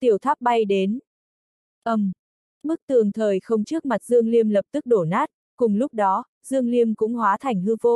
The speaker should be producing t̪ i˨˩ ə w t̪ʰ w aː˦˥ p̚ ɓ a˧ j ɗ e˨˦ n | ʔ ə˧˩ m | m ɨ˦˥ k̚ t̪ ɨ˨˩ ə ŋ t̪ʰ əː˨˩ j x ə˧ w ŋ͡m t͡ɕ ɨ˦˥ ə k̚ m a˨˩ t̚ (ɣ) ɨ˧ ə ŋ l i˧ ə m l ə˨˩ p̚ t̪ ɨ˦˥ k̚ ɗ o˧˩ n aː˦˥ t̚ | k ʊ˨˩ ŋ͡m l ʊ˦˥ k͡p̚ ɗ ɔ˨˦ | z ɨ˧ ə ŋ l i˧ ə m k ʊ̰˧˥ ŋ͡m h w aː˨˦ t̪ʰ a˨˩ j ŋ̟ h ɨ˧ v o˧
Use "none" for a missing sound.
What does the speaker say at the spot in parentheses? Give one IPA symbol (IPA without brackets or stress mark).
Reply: z